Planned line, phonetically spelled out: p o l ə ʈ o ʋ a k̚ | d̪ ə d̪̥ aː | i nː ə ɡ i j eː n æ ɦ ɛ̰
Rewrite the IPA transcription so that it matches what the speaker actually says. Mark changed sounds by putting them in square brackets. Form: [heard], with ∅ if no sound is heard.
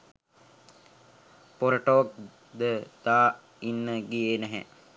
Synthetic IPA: p o [ɾ] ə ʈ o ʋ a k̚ | d̪ ə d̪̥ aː | i nː ə ɡ i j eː n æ ɦ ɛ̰